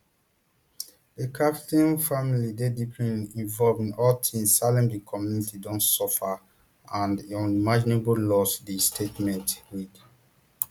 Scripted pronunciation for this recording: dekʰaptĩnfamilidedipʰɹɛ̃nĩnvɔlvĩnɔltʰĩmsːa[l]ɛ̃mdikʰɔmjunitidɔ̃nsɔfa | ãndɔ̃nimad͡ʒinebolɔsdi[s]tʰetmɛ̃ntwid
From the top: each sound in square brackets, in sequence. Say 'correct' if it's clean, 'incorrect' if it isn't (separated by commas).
correct, correct